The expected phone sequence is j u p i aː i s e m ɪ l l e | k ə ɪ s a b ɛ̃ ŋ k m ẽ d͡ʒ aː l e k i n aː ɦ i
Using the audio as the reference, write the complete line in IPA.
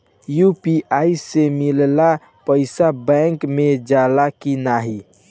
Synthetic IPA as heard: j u p i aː i s e m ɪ l l a | p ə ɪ s a b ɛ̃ ŋ k m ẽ d͡ʒ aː l a k i n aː ɦ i